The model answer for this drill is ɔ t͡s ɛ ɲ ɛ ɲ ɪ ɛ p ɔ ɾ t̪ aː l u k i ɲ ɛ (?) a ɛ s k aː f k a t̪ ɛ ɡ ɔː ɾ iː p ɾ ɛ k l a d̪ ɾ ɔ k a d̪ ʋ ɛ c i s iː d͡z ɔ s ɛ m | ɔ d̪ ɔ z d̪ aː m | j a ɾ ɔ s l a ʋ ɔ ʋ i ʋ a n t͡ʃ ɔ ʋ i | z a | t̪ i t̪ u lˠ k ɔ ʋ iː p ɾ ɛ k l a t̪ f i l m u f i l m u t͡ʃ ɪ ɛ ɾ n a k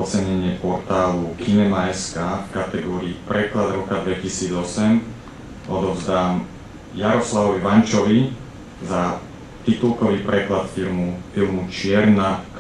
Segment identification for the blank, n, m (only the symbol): m